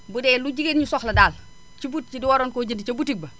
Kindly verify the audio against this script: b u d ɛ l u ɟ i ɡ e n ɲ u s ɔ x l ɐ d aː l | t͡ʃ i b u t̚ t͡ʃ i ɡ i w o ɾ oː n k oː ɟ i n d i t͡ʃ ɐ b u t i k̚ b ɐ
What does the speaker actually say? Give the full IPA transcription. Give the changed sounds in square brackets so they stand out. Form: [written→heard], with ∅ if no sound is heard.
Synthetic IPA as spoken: b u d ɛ l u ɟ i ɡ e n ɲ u s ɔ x l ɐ d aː l | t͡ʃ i b u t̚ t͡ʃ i [ɡ→d] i w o ɾ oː n k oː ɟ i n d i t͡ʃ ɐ b u t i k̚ b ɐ